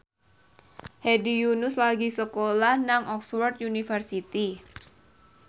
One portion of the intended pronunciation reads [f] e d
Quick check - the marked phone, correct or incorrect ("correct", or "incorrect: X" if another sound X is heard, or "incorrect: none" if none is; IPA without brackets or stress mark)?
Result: incorrect: h